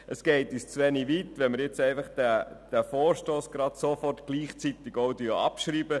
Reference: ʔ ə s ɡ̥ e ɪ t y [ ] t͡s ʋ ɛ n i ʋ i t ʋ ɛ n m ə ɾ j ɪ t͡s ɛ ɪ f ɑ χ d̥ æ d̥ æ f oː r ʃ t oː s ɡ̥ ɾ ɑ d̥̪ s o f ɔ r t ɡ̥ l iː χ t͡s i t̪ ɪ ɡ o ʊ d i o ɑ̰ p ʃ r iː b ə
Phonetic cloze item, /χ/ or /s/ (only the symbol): s